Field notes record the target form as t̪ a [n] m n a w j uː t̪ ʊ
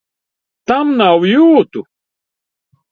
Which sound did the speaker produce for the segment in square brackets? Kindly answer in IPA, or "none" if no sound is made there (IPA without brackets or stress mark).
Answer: none